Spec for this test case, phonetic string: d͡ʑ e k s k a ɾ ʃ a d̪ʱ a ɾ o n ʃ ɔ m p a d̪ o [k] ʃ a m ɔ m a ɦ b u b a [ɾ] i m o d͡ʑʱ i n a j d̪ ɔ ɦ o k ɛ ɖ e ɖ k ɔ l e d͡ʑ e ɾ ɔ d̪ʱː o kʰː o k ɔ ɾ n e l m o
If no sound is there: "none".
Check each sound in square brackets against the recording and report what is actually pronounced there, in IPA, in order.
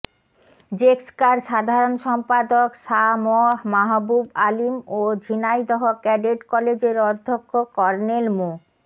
k, l

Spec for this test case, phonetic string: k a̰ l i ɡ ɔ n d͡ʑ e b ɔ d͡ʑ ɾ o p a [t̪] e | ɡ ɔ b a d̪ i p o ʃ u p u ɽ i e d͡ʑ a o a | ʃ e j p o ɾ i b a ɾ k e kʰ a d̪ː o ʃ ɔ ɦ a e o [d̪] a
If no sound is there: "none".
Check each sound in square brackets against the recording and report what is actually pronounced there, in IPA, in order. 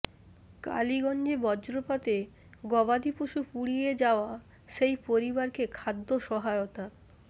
t̪, t̪

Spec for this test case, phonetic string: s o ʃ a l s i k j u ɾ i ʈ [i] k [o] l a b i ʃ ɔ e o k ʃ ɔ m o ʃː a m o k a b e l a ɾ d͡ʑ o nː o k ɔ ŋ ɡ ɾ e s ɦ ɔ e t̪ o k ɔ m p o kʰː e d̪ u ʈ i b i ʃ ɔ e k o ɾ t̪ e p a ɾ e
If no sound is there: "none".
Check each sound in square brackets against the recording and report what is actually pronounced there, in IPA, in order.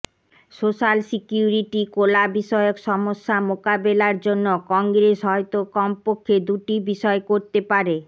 i, o

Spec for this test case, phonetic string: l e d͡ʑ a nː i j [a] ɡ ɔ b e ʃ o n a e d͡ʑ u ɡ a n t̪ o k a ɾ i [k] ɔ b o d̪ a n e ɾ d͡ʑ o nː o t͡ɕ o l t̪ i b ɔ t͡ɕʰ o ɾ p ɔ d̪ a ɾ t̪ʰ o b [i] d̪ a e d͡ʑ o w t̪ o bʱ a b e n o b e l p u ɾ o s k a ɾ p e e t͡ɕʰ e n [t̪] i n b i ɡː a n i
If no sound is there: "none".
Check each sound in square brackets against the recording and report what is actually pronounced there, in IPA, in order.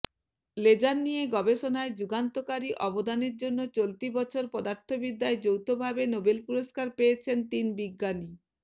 e, ʔ, i, t̪

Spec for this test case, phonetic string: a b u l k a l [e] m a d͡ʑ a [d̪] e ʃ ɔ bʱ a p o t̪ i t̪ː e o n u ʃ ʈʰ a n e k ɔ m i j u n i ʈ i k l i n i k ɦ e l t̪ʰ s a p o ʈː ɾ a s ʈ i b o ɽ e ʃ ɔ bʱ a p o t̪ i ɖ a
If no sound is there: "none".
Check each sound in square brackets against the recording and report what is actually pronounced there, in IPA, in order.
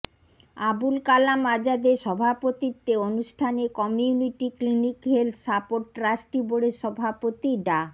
a, d̪

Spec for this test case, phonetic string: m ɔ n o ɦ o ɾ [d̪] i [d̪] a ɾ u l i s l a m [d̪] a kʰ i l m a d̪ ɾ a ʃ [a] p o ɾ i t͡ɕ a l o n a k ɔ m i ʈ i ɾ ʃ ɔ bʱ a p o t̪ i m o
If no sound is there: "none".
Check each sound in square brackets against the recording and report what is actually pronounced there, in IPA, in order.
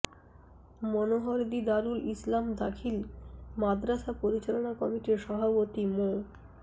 d̪, d̪, d̪, a

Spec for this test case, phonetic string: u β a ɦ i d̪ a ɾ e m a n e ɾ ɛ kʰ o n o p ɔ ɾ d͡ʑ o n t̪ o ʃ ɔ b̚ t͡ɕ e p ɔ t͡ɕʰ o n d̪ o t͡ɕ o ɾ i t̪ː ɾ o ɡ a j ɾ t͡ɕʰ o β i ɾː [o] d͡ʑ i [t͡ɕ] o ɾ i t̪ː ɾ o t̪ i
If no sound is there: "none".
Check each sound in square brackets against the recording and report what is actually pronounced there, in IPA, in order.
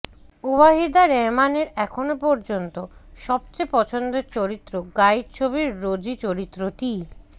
o, t͡ɕ

